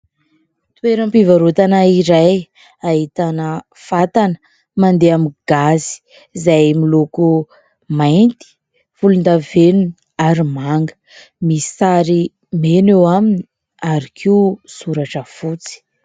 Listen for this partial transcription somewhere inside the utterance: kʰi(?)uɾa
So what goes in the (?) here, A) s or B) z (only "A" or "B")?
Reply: A